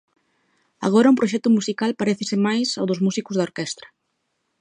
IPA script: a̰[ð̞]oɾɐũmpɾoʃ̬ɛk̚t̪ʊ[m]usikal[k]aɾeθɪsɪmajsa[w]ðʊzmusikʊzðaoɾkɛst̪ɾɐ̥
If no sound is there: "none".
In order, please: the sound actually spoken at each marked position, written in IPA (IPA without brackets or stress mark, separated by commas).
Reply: ɣ̞, m, p, w